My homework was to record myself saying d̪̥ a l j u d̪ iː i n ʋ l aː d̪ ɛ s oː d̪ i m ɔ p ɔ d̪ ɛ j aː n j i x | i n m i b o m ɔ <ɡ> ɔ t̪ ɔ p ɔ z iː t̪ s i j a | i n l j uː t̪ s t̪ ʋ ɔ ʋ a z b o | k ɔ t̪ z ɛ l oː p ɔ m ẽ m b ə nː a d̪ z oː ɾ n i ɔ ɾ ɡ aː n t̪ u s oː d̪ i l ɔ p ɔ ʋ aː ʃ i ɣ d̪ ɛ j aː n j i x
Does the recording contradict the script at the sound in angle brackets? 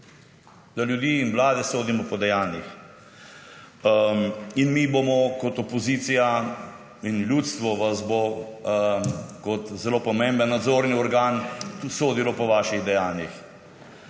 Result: yes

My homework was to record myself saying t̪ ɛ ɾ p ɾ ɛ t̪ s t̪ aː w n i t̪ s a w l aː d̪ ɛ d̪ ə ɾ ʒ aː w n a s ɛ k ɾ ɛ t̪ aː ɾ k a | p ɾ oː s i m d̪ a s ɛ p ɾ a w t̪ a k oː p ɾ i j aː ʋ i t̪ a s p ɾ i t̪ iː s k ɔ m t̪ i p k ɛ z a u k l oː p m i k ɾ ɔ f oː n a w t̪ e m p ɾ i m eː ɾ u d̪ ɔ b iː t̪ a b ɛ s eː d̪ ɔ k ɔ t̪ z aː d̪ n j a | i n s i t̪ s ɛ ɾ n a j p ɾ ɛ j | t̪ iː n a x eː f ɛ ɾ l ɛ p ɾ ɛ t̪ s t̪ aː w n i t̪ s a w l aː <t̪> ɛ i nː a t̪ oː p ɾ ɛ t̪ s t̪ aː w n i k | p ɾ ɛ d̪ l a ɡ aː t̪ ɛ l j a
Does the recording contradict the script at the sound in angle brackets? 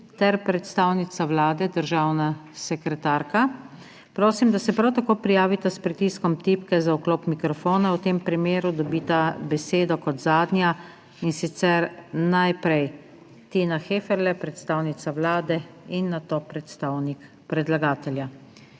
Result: yes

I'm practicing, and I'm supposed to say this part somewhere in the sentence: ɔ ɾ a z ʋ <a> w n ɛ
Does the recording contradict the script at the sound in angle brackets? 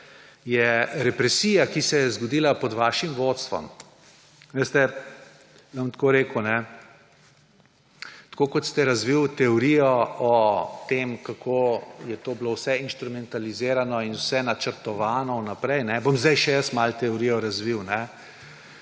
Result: yes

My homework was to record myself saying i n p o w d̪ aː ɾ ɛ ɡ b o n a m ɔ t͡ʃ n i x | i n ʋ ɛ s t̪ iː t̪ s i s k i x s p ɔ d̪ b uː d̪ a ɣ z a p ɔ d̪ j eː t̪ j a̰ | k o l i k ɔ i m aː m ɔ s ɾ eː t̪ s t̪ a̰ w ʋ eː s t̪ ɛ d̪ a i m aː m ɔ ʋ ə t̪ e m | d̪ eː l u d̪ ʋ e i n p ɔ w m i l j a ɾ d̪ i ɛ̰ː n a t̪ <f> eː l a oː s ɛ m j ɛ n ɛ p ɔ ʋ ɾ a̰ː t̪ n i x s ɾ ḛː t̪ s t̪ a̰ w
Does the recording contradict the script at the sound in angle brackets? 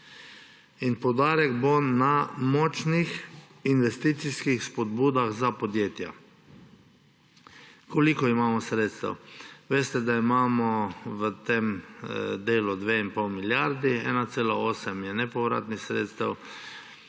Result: yes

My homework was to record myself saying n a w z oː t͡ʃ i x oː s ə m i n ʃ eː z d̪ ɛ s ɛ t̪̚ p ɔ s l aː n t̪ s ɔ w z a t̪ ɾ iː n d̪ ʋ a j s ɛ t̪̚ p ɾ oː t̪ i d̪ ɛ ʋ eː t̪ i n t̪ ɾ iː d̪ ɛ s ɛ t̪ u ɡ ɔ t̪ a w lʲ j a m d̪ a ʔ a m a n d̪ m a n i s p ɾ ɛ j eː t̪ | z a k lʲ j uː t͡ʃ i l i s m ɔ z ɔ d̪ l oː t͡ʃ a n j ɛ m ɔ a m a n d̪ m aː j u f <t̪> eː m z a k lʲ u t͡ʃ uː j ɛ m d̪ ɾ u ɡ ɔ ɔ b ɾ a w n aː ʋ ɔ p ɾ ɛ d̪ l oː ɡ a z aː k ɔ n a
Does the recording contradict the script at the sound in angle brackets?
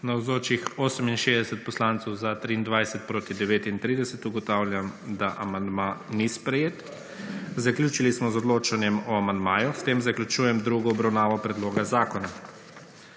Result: no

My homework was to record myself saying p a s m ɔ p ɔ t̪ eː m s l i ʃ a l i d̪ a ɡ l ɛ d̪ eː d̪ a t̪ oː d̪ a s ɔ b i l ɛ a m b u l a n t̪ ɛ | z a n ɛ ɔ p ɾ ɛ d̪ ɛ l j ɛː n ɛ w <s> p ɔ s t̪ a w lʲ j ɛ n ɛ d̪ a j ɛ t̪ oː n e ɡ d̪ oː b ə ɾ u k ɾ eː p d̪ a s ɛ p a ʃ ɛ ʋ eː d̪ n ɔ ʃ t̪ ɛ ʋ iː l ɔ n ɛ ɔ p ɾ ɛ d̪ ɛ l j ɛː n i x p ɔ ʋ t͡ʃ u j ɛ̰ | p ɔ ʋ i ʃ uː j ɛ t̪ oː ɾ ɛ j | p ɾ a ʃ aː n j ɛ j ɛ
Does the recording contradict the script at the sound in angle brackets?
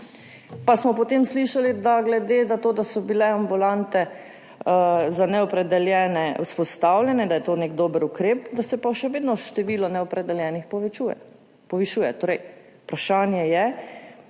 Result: no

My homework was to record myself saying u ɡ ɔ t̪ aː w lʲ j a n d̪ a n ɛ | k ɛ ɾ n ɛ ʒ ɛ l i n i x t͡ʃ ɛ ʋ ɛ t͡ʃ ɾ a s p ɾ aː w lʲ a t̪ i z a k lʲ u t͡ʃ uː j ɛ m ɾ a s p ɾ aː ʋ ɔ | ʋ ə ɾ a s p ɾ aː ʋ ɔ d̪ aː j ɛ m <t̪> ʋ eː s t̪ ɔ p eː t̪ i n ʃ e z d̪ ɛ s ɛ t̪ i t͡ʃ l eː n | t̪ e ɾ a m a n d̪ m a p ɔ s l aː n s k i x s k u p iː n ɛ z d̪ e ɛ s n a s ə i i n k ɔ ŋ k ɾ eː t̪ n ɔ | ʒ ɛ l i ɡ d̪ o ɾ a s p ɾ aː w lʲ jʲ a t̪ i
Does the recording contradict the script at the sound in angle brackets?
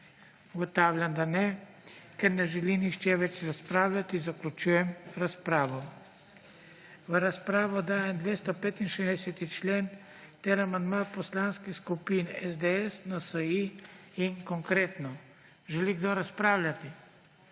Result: yes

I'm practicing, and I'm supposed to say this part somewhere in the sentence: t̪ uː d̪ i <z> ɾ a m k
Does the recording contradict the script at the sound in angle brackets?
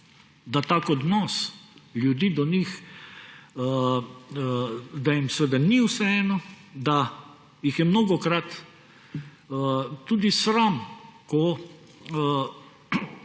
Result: yes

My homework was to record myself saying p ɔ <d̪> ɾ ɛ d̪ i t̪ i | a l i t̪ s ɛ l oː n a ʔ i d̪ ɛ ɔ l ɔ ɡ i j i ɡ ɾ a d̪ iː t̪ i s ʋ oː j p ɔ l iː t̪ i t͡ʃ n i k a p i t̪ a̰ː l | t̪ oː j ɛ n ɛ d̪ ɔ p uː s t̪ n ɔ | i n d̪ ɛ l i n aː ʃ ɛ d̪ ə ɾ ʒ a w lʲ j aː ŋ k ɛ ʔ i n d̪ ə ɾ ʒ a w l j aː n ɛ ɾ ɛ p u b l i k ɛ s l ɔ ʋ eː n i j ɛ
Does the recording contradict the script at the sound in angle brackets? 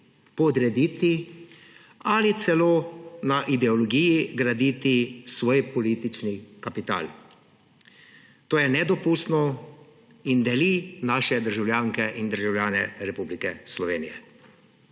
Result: no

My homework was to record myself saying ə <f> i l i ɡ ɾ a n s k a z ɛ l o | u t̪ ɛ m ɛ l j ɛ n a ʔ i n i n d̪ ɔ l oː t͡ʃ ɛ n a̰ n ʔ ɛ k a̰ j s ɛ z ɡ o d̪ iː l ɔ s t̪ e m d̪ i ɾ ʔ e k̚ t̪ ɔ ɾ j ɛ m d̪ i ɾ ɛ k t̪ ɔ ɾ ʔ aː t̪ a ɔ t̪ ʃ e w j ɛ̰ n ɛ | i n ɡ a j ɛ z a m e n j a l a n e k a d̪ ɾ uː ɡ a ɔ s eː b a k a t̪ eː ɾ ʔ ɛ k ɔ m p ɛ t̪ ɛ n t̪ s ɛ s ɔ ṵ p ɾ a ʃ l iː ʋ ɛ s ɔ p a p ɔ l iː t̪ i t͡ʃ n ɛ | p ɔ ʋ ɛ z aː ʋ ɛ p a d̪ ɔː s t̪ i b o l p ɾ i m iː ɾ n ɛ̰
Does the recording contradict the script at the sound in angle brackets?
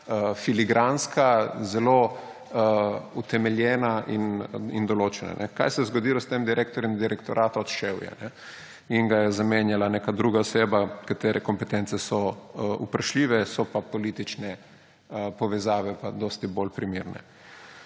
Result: no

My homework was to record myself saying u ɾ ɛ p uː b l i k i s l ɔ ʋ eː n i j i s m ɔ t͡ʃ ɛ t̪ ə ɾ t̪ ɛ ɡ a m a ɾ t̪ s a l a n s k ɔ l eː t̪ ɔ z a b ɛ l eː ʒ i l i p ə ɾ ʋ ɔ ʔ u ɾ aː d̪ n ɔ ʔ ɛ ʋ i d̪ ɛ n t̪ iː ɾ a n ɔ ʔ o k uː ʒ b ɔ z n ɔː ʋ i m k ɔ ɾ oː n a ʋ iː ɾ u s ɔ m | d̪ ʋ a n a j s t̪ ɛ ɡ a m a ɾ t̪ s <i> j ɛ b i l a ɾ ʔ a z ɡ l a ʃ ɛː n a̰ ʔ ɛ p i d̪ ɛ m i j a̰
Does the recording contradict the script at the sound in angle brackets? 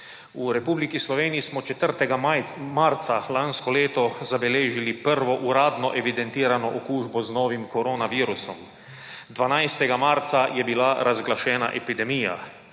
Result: yes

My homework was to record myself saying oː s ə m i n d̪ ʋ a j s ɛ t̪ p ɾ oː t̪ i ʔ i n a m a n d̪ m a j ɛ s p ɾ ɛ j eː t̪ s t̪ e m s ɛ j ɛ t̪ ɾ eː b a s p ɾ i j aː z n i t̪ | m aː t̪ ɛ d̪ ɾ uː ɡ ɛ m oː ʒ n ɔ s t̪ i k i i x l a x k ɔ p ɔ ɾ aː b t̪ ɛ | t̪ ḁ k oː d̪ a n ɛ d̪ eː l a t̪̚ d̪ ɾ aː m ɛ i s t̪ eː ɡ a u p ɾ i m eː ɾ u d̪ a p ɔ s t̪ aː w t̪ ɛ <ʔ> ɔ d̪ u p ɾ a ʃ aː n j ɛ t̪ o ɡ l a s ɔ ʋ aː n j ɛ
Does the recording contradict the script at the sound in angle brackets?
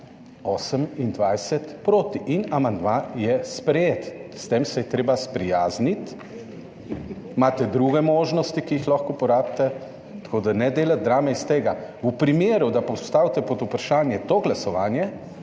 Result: yes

